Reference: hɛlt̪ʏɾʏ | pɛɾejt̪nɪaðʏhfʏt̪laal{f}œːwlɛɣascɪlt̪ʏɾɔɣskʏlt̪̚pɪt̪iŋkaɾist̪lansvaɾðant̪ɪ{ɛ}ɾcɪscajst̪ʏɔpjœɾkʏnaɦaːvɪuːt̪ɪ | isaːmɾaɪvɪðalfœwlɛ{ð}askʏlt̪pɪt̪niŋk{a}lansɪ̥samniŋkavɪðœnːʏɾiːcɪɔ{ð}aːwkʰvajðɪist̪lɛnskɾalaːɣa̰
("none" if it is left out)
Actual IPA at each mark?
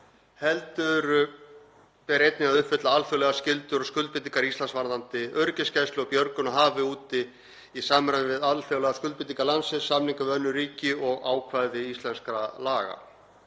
f, œ, ɣ, a, ɣ

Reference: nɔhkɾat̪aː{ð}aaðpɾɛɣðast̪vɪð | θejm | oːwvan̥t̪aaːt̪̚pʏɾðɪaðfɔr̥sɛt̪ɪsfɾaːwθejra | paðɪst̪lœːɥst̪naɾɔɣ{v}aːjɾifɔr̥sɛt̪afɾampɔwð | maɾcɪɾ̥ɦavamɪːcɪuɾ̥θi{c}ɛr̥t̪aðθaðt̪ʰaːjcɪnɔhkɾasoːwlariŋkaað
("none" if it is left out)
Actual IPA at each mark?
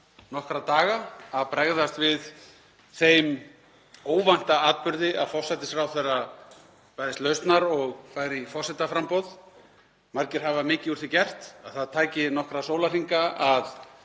ɣ, f, c

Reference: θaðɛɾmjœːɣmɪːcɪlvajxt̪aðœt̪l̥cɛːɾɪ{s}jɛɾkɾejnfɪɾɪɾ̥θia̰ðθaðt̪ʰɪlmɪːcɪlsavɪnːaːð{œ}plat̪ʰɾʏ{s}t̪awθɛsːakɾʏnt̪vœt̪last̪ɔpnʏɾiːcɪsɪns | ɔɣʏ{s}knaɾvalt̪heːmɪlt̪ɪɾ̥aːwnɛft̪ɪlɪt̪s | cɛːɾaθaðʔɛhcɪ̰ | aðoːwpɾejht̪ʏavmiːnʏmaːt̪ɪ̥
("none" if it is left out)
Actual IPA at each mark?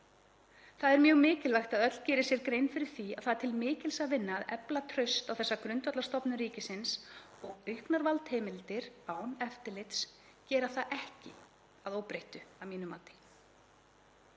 s, ɛ, s, h

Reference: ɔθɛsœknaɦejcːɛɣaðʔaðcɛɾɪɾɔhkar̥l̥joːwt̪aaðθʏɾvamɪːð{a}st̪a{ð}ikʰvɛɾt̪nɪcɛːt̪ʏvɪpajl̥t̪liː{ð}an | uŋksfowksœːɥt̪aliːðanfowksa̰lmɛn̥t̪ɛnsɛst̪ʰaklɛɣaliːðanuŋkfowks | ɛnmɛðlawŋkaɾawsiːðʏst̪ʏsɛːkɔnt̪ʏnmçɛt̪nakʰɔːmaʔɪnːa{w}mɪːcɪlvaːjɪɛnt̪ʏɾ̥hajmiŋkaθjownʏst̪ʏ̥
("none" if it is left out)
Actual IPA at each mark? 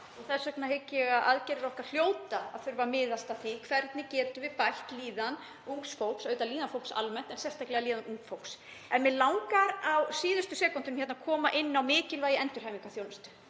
a, θ, ð, w

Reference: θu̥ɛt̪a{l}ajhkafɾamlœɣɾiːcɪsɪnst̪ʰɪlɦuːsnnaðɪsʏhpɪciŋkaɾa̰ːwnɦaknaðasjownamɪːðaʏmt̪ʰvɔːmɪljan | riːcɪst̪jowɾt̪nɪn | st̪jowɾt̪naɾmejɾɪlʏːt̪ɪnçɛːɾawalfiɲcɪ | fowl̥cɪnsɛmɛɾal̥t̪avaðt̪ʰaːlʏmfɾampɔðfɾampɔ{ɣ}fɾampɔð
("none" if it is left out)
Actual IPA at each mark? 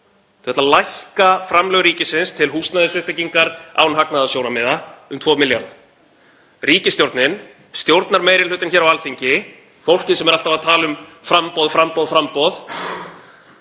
l, ð

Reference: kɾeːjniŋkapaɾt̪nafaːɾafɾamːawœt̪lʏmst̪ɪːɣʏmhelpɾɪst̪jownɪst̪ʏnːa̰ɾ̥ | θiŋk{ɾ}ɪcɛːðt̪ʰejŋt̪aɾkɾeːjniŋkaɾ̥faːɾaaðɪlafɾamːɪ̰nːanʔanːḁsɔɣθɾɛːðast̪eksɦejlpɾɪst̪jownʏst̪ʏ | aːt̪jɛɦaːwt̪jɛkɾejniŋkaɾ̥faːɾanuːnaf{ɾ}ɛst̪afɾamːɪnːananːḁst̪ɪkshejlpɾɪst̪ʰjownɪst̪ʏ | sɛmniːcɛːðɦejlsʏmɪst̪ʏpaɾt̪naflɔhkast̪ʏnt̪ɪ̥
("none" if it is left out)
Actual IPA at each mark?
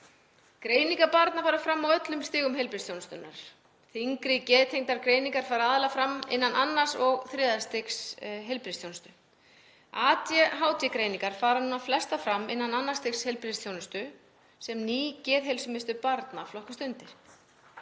ɾ, l

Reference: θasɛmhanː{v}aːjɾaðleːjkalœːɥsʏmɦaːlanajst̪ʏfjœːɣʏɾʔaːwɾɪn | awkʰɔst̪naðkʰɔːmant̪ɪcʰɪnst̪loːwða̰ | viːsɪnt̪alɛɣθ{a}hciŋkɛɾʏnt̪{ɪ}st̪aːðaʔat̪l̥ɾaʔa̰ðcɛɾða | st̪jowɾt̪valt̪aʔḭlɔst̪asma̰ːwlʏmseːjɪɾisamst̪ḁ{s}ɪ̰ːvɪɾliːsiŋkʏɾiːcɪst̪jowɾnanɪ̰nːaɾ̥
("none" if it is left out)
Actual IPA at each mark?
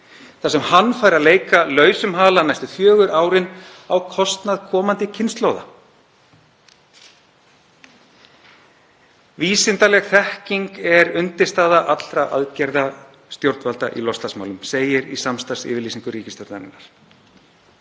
f, ɛ, ɪ, s

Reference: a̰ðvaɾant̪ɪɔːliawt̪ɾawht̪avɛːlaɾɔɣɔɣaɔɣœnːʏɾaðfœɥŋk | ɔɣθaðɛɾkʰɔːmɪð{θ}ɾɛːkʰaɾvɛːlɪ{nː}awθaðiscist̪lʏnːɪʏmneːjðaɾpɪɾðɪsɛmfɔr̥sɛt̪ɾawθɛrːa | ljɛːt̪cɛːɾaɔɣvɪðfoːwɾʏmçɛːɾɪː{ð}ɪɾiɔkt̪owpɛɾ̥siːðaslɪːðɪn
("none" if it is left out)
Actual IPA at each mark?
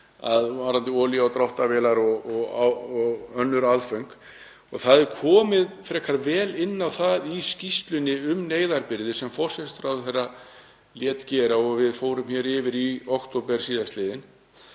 f, nː, v

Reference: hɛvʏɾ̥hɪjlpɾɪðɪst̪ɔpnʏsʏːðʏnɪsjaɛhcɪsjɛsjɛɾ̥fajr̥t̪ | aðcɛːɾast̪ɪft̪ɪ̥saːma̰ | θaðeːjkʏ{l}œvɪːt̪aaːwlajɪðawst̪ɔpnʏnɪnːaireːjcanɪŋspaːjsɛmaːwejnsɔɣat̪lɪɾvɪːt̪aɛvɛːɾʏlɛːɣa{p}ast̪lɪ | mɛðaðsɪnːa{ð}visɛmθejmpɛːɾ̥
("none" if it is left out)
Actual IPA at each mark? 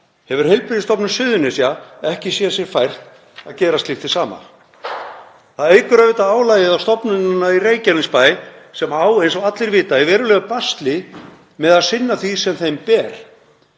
ɾ, p, θ

